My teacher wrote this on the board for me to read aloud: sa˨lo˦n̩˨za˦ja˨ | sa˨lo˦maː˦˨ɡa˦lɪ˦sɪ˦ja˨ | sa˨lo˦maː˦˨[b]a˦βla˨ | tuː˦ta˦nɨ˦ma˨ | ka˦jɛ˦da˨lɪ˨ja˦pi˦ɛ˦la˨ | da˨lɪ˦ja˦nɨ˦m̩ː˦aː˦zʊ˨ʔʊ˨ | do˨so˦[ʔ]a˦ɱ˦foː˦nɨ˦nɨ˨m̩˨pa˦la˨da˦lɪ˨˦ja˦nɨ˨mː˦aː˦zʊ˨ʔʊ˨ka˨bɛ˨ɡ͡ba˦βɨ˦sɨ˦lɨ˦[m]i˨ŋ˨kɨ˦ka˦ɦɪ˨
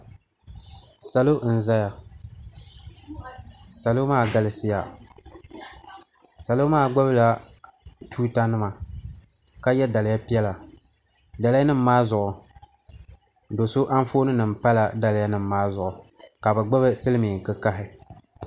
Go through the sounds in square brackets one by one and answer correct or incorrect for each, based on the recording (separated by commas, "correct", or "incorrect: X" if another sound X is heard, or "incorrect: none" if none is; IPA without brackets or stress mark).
incorrect: ɡ͡b, correct, correct